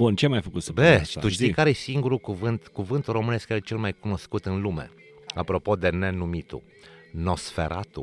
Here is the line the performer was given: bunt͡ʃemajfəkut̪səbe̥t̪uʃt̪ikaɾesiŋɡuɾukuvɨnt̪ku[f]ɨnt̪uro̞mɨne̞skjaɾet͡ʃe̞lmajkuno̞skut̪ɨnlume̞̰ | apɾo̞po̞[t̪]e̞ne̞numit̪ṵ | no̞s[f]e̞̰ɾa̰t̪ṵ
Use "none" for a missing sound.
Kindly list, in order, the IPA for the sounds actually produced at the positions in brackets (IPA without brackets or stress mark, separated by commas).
v, d̪, f